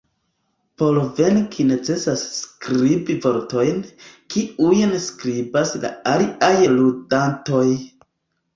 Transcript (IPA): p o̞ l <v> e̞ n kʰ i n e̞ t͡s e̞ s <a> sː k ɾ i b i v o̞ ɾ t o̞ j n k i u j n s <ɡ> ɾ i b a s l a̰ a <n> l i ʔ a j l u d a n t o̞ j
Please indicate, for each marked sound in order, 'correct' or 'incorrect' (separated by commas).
correct, correct, incorrect, incorrect